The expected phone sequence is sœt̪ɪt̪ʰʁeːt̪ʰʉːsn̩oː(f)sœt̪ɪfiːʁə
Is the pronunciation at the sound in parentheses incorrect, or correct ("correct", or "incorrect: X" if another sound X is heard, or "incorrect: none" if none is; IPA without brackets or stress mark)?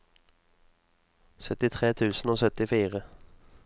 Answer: incorrect: none